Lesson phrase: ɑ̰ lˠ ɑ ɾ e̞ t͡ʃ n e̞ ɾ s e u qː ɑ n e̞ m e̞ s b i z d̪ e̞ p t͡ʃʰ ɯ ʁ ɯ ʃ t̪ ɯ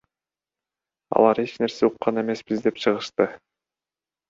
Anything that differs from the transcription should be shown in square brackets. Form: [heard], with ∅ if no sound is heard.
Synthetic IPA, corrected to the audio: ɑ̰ lˠ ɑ ɾ e̞ t͡ʃ n e̞ ɾ s e u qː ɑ n e̞ m e̞ s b i z d̪ e̞ p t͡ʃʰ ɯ ʁ ɯ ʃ t̪ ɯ